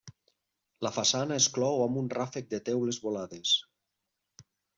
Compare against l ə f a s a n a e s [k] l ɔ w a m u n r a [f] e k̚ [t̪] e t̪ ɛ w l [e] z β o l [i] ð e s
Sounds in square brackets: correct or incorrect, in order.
correct, correct, incorrect, correct, incorrect

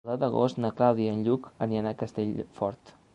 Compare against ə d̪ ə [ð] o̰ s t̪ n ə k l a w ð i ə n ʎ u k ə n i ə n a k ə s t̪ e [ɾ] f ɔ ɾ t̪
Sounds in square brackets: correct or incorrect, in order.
incorrect, incorrect

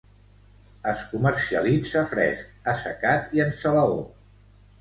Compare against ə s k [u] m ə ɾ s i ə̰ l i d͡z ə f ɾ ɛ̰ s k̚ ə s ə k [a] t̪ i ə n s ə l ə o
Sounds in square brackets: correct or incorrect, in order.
correct, correct

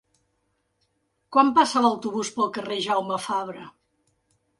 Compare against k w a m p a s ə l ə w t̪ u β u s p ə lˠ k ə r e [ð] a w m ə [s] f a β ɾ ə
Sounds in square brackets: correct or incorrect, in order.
incorrect, incorrect

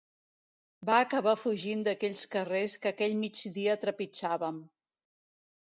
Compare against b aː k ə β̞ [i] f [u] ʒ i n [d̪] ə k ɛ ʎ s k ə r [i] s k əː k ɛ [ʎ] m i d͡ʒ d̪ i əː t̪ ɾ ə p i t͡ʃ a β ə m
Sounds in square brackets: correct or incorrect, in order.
incorrect, correct, correct, incorrect, correct

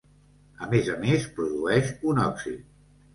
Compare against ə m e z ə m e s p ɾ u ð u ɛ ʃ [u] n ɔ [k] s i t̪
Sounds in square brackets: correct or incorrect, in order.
correct, correct

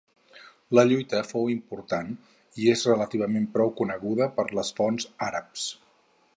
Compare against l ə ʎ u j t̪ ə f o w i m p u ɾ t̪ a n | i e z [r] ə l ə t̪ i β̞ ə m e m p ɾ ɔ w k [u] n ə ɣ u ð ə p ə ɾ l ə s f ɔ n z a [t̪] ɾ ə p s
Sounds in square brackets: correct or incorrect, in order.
correct, correct, incorrect

